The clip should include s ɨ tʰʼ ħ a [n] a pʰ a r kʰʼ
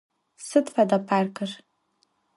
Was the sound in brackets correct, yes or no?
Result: no